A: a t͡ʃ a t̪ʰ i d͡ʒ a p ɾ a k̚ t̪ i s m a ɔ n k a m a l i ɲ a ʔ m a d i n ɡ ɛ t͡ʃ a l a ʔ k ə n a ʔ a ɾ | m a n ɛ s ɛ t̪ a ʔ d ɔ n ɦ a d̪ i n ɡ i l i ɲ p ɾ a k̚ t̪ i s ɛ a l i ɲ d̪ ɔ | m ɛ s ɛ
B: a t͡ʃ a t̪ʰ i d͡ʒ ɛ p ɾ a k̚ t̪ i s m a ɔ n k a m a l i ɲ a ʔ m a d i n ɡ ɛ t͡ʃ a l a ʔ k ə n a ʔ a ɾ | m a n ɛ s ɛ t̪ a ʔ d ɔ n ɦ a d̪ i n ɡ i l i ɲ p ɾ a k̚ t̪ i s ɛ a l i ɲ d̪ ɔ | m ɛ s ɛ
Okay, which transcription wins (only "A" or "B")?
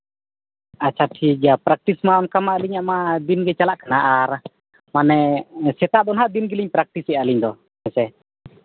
A